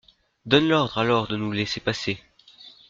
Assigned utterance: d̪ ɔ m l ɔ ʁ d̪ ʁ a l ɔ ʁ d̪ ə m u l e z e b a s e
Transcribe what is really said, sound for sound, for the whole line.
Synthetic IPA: d̪ ɔ n l ɔ ʁ d̪ ʁ a l ɔ ʁ d̪ ə n u l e s e p a s e